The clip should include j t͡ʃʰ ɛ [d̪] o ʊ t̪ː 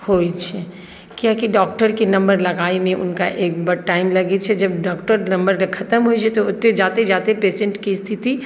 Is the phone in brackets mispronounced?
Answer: yes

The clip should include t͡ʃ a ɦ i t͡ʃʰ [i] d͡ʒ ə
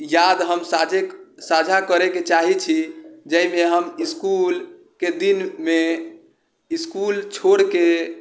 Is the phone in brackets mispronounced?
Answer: no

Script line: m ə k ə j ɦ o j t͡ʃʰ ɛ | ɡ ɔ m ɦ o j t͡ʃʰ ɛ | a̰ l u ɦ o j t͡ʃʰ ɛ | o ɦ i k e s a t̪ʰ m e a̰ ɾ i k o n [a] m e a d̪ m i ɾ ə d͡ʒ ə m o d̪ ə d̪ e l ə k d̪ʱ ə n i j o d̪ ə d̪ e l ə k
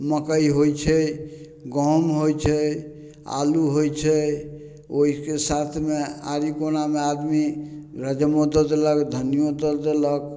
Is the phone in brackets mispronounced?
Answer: no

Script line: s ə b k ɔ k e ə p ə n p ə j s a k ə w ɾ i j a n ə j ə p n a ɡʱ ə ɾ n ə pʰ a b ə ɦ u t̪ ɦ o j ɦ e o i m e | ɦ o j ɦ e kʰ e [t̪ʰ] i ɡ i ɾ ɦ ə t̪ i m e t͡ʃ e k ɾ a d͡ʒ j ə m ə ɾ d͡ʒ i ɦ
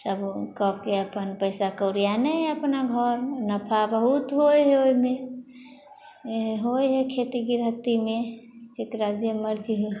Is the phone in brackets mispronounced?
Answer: yes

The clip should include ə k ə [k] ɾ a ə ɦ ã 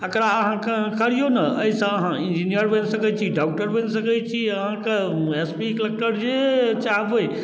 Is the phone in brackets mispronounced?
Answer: yes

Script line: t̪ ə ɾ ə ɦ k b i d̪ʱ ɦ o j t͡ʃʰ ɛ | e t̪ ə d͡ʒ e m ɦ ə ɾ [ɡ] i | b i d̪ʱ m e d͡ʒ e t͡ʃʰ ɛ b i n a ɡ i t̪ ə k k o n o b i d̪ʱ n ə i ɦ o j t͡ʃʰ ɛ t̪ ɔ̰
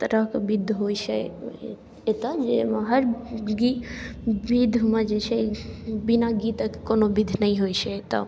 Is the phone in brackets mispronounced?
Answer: no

